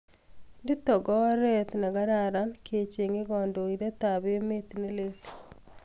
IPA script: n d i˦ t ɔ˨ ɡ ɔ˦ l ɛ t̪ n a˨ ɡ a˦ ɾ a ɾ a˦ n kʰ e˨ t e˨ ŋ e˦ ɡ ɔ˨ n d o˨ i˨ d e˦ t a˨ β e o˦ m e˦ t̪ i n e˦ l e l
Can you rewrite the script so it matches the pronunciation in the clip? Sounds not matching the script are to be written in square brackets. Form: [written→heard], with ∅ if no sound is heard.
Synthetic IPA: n d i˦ t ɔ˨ ɡ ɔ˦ [l→ɾ] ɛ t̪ n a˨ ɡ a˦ ɾ a ɾ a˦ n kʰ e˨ [t→t͡ʃ] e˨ ŋ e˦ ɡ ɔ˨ n d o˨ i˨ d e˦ t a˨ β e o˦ m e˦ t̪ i n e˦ l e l